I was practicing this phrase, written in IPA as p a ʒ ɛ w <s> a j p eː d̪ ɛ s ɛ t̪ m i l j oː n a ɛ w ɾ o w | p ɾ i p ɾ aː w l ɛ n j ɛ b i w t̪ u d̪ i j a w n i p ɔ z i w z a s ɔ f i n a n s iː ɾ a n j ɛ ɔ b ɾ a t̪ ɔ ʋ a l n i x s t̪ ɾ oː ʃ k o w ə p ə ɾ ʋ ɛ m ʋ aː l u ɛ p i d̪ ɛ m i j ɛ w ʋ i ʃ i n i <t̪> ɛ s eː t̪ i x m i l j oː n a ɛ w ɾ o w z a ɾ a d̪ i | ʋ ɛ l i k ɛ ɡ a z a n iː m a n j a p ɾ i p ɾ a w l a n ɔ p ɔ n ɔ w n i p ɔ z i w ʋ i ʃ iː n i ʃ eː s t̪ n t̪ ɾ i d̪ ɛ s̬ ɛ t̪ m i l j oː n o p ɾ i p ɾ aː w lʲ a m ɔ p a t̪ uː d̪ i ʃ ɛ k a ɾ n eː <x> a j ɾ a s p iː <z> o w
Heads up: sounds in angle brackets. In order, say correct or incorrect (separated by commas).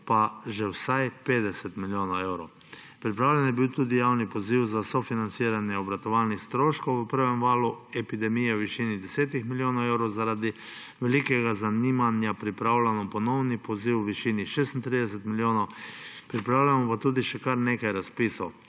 correct, incorrect, incorrect, incorrect